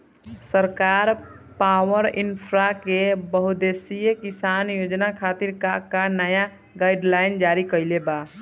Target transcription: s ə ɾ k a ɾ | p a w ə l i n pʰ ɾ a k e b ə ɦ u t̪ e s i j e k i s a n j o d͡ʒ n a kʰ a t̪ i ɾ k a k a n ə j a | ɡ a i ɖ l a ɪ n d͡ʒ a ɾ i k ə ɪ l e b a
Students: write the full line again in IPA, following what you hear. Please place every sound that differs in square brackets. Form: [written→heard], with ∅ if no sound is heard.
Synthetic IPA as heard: s ə ɾ k a ɾ | p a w ə [l→ɾ] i n pʰ ɾ a k e b ə ɦ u [t̪→d̪] e s i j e k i s a n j o d͡ʒ n a kʰ a t̪ i ɾ k a k a n ə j a | ɡ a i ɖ l a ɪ n d͡ʒ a ɾ i k ə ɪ l e b a